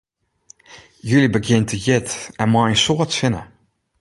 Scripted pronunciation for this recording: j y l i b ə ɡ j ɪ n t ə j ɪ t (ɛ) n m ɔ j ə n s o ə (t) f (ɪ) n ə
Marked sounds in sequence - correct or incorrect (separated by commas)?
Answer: correct, correct, correct